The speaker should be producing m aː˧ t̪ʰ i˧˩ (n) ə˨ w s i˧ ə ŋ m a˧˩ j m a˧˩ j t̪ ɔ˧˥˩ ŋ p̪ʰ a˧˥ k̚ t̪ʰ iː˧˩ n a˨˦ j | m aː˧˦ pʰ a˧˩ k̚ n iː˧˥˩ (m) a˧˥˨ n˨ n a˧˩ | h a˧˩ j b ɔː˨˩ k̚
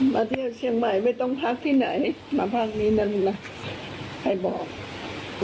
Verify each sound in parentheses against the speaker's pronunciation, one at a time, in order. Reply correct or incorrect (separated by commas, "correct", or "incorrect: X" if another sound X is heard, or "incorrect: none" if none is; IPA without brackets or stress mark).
incorrect: none, incorrect: n